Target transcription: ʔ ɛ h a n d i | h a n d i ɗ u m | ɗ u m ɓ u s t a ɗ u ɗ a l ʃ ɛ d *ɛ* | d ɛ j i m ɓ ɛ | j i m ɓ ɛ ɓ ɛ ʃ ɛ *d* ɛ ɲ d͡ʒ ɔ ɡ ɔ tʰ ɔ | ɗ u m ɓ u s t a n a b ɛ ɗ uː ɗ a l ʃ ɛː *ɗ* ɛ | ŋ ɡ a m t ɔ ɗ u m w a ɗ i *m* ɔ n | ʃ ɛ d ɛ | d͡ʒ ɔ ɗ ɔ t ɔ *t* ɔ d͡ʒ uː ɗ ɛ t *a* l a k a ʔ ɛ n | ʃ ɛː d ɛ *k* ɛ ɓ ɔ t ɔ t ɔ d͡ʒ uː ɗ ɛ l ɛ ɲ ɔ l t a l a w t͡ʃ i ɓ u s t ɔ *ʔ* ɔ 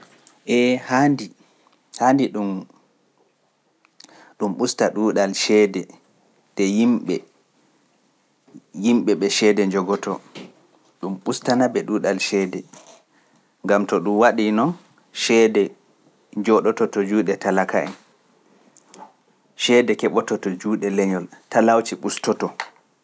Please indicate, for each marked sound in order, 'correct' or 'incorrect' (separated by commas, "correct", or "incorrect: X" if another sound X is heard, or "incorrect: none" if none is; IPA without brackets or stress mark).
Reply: correct, correct, incorrect: d, incorrect: n, correct, correct, correct, incorrect: t